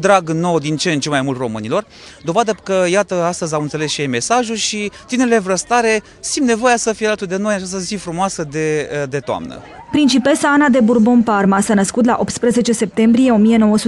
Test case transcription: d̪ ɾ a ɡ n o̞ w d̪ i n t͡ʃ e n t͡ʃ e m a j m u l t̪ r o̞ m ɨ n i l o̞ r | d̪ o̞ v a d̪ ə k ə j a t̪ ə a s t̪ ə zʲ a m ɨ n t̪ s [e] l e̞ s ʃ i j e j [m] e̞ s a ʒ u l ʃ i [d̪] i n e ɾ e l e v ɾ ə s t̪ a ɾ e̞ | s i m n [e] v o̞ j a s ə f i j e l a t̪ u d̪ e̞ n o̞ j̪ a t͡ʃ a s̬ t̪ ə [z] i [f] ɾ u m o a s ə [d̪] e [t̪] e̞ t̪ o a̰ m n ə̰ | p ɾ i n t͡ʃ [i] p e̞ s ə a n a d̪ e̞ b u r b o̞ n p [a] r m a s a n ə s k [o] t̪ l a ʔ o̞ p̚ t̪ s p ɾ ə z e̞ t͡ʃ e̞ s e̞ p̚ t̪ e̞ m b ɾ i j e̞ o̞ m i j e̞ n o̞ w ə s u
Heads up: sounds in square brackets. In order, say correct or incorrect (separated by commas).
correct, correct, incorrect, correct, correct, correct, correct, incorrect, correct, correct, incorrect